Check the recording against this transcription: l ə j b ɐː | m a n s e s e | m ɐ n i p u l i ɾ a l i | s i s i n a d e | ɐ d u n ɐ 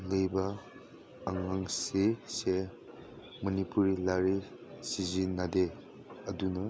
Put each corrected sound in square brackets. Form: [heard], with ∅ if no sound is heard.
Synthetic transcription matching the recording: l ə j b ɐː | [ŋ] a [ŋ] s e s e | m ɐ n i p u [ɾ] i [l] a [ɾ] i | s i [z] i n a d e | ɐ d u n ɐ